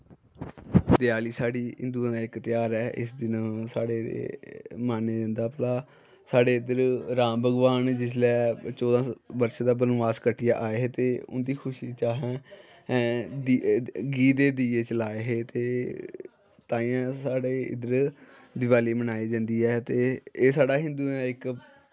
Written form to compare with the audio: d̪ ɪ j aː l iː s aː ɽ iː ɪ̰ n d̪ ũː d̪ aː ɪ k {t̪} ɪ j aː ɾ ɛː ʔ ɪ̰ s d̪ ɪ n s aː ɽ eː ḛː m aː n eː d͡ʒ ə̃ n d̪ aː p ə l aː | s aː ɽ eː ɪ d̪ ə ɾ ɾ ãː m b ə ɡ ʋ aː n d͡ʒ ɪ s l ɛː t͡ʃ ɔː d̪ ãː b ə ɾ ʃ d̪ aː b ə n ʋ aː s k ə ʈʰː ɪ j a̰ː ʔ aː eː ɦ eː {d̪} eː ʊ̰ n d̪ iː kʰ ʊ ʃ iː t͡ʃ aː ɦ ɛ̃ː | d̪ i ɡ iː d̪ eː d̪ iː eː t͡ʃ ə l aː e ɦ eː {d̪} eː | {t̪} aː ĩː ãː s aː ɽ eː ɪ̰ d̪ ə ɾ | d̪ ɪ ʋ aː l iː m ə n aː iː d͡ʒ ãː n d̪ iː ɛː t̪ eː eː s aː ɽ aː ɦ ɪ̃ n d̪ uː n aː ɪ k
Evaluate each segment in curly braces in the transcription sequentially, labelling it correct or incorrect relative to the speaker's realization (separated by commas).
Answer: correct, incorrect, incorrect, correct